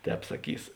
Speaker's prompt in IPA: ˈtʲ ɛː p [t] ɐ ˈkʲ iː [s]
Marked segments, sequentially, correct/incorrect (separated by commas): incorrect, correct